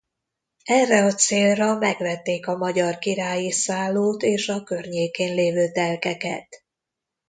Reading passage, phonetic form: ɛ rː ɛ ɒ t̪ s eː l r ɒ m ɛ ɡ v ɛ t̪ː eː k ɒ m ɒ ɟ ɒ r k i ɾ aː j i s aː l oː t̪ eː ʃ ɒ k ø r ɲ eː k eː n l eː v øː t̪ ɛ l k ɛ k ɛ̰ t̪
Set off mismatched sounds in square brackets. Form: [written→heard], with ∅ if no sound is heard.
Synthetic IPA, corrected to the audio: ɛ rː ɛ ɒ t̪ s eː l r ɒ m ɛ ɡ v ɛ t̪ː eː k ɒ m ɒ ɟ ɒ r k i ɾ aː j i s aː l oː t̪ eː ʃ ɒ k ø r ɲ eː k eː n l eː v øː t̪ ɛ l k ɛ k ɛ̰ t̪